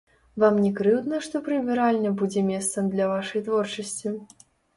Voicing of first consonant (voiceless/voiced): voiced